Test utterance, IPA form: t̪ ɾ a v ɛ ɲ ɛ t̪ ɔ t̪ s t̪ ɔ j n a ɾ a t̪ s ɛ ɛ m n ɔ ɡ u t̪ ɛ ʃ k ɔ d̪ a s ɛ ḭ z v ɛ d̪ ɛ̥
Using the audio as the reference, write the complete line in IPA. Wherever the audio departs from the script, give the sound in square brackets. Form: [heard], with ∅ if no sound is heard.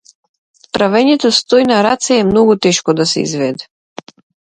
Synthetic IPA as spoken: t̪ ɾ a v ɛ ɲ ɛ t̪ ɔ [∅] s t̪ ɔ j n a ɾ a t̪ s ɛ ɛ m n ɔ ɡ u t̪ ɛ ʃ k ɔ d̪ a s ɛ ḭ z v ɛ d̪ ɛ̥